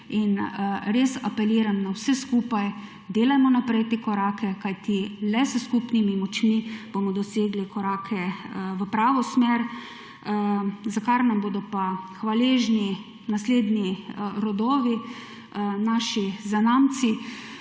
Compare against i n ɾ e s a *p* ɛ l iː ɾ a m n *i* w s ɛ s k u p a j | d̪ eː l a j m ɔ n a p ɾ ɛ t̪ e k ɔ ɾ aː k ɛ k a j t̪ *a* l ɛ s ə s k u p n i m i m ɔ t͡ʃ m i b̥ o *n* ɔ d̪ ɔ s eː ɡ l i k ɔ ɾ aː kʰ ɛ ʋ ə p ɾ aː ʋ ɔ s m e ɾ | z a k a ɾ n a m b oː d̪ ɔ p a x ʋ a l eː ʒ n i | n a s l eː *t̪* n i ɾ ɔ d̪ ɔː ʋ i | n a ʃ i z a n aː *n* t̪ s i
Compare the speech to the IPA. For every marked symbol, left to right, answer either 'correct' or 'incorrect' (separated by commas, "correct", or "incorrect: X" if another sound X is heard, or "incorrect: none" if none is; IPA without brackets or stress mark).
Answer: correct, incorrect: a, incorrect: i, incorrect: m, incorrect: d̪, incorrect: m